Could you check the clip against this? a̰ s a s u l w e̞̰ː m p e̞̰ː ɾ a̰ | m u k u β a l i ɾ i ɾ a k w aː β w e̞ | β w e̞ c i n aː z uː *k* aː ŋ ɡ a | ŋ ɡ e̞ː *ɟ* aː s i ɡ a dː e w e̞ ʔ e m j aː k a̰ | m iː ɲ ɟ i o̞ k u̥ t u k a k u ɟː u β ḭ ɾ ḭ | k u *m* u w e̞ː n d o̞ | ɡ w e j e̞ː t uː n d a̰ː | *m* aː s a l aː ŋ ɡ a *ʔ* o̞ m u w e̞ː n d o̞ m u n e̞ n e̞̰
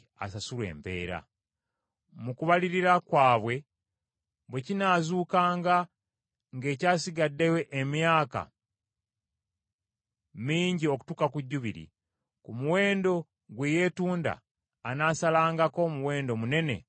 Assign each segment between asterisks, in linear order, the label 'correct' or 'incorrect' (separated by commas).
correct, incorrect, correct, incorrect, incorrect